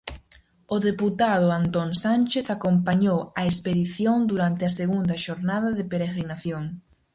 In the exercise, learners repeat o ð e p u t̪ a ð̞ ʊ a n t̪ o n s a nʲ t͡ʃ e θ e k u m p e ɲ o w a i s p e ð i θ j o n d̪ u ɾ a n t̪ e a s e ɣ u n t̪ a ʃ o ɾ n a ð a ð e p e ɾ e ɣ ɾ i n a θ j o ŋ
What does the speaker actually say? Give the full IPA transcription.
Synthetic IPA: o ð e p u t̪ a ð̞ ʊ a n t̪ o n s a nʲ t͡ʃ e θ a k o m p a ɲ o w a e s p e ð i θ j o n d̪ u ɾ a n t̪ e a s e ɣ u n d̪ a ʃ o ɾ n a ð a ð e p e ɾ e ɣ ɾ i n a θ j o ŋ